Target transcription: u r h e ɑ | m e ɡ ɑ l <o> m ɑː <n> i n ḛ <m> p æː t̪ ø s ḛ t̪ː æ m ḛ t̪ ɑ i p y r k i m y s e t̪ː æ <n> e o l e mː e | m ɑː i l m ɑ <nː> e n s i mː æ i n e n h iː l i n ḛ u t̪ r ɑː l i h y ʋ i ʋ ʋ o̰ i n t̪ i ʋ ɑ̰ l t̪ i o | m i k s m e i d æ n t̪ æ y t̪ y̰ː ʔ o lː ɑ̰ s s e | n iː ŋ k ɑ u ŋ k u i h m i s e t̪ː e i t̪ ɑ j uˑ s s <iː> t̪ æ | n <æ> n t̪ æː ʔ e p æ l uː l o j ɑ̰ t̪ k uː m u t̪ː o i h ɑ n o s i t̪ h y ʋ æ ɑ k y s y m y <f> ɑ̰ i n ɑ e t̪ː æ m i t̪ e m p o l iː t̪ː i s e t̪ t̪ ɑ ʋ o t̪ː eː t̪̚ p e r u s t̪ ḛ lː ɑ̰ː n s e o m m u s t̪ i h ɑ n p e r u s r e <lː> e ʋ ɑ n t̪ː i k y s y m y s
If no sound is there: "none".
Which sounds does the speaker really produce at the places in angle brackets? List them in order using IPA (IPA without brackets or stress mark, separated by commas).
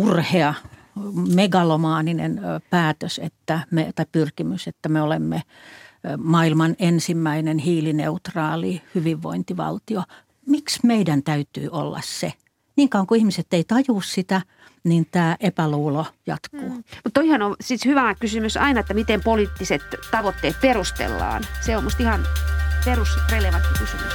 o, n, n, m, n, i, i, s, l